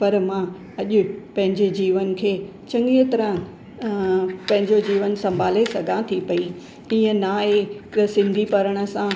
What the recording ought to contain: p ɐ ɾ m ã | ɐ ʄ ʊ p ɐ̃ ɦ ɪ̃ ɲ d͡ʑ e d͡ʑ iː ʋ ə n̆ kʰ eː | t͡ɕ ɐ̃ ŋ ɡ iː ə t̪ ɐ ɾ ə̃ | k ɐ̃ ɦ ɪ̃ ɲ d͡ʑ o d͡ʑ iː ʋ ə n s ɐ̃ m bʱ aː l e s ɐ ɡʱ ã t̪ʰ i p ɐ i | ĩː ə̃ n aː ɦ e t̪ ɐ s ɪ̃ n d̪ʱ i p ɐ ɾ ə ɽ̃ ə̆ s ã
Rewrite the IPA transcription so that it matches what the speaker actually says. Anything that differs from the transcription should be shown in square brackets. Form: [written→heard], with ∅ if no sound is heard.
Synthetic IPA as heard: p ɐ ɾ m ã | ɐ ʄ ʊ p ɐ̃ ɦ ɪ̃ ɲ d͡ʑ e d͡ʑ iː ʋ ə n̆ kʰ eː | t͡ɕ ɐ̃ ŋ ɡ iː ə t̪ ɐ ɾ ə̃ | [k→p] ɐ̃ ɦ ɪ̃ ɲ d͡ʑ o d͡ʑ iː ʋ ə n s ɐ̃ m bʱ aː l e s ɐ ɡʱ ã t̪ʰ i p ɐ i | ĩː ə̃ n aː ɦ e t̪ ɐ s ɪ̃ n d̪ʱ i p ɐ ɾ ə ɽ̃ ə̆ s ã

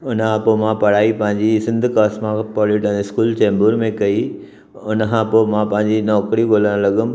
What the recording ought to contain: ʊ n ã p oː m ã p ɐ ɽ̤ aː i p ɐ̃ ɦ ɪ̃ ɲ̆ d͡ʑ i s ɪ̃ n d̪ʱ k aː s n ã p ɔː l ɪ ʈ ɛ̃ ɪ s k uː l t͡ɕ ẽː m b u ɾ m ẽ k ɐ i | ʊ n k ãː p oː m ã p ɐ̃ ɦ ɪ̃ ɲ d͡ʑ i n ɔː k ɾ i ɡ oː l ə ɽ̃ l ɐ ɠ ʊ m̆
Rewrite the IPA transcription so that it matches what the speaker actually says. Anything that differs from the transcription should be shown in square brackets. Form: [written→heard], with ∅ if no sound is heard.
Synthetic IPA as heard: ʊ n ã p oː m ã p ɐ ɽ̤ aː i p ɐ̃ ɦ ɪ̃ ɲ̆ d͡ʑ i s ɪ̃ n d̪ʱ k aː s [n→m] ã p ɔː l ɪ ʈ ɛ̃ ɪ s k uː l t͡ɕ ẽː m b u ɾ m ẽ k ɐ i | ʊ n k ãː p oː m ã p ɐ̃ ɦ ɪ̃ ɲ d͡ʑ i n ɔː k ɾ i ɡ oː l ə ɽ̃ l ɐ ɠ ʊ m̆

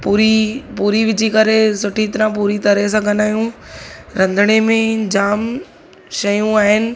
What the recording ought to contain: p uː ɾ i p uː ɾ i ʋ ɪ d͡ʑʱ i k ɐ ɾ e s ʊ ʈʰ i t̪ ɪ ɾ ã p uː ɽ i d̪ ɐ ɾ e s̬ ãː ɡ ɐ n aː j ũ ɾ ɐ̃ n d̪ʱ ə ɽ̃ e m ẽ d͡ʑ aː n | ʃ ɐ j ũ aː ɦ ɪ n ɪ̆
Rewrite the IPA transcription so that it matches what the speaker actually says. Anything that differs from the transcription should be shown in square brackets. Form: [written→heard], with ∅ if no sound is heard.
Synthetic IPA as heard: p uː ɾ i p uː ɾ i ʋ ɪ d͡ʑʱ i k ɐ ɾ e s ʊ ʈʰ i t̪ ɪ ɾ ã p uː [ɽ→ɾ] i [d̪→t̪] ɐ ɾ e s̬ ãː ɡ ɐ n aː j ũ ɾ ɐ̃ n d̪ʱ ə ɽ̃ e m ẽ d͡ʑ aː [n→m] | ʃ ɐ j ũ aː ɦ ɪ n ɪ̆

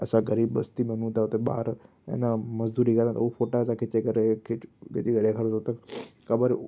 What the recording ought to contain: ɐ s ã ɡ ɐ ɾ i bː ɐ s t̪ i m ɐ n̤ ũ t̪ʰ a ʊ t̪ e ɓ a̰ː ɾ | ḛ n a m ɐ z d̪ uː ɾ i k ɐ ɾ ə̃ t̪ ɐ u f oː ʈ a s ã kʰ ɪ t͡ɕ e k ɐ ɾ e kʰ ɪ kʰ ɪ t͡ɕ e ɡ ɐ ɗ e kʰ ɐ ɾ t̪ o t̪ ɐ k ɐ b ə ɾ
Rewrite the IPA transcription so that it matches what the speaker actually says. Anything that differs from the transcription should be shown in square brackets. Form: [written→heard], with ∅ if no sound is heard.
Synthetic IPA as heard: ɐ s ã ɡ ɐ ɾ [i→iː] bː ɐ s t̪ i m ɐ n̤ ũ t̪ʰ a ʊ t̪ e ɓ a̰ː ɾ | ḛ n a m ɐ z d̪ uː ɾ i k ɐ ɾ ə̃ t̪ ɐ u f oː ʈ a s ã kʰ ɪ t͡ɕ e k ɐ ɾ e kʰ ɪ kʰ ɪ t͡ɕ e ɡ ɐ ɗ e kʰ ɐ ɾ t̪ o t̪ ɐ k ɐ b ə ɾ

